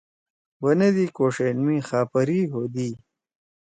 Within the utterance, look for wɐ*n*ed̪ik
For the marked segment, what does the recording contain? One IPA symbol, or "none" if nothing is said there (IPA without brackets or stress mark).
n